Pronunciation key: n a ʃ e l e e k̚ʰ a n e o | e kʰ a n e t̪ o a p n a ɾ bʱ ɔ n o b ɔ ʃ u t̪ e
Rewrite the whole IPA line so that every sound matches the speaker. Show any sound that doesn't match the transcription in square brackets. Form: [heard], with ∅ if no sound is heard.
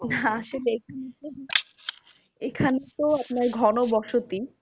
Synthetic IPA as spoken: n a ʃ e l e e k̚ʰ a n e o | e kʰ a n e t̪ o a p n a ɾ [ɡʱ] ɔ n o b ɔ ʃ [o] t̪ [i]